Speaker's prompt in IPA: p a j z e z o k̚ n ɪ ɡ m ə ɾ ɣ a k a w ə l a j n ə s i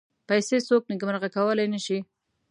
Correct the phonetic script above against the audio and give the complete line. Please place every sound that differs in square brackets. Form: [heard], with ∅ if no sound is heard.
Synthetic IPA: p a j [s] e [s] o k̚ n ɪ ɡ m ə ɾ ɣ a k a w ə l a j n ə [ʃ] i